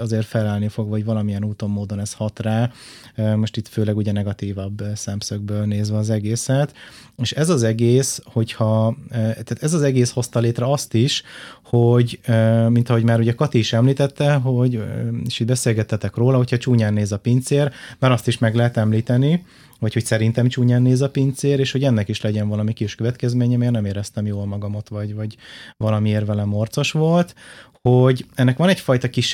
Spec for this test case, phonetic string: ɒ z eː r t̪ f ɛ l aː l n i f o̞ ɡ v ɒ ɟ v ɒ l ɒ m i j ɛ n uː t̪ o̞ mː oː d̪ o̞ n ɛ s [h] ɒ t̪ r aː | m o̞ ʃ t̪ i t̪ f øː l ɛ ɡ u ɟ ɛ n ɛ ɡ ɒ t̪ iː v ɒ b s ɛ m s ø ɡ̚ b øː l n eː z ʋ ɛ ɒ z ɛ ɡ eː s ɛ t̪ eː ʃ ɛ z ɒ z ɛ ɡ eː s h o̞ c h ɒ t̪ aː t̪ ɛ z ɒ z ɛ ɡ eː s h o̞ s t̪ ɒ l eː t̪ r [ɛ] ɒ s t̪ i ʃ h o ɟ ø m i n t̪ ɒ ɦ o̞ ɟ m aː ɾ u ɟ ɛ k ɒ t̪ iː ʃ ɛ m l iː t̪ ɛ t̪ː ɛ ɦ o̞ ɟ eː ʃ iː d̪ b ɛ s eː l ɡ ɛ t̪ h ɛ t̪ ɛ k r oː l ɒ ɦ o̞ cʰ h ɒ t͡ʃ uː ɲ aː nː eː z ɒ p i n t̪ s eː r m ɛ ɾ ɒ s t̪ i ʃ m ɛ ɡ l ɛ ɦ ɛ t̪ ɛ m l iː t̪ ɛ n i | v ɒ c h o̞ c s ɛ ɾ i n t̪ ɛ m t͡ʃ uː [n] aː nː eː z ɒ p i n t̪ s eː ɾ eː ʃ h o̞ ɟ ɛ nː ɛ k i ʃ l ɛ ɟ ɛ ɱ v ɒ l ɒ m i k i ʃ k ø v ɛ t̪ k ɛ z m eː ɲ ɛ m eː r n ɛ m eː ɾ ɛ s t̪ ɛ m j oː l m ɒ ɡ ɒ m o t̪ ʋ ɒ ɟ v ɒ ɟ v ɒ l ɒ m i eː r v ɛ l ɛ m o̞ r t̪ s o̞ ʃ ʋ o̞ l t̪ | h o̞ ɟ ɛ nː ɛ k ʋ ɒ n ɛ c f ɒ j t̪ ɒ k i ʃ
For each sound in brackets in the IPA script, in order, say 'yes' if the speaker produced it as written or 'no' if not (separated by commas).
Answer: yes, yes, no